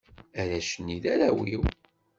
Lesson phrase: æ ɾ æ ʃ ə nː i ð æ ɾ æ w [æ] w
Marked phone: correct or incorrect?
incorrect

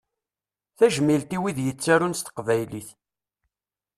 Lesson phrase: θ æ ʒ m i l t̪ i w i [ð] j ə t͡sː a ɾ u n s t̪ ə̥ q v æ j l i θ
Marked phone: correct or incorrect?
correct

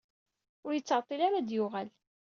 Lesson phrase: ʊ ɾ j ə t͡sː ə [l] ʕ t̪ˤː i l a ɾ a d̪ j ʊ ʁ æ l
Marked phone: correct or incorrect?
incorrect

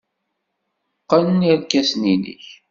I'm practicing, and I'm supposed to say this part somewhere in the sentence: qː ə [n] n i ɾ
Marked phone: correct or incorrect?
correct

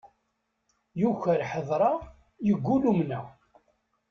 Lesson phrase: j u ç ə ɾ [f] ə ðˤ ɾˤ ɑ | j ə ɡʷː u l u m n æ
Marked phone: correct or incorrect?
incorrect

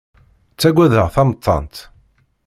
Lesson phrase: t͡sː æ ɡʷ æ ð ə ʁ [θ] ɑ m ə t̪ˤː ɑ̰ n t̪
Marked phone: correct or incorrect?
correct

